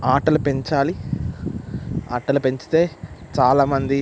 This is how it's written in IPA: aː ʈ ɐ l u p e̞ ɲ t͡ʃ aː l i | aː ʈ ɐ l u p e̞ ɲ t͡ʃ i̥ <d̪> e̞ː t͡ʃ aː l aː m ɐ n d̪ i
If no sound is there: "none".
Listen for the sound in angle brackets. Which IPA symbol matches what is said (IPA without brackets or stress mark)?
t̪